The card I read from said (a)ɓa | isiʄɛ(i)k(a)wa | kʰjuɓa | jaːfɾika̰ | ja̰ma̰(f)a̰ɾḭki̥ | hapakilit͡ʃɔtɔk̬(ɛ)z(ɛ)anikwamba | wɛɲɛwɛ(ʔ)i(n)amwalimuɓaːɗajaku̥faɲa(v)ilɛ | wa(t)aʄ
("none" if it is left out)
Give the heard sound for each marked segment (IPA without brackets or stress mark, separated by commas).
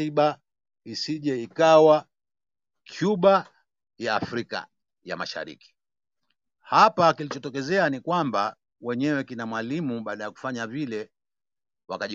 i, i, a, ʃ, ɛ, ɛ, k, n, v, k